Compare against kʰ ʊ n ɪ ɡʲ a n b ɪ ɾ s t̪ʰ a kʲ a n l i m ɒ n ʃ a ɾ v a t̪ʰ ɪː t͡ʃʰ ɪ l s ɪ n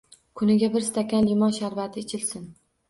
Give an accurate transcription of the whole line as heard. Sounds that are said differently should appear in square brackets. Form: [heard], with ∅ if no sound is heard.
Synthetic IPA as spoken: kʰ ʊ n ɪ ɡʲ a [∅] b ɪ ɾ s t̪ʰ a kʲ a n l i m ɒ n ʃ a ɾ v a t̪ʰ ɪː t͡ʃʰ ɪ l s ɪ n